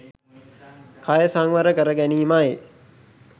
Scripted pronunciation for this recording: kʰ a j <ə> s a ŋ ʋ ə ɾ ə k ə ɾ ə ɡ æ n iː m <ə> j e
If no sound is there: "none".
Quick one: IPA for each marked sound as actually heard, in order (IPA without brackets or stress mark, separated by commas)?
ə, a